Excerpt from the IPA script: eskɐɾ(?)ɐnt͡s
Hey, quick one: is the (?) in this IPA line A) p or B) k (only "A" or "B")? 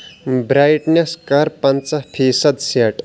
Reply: A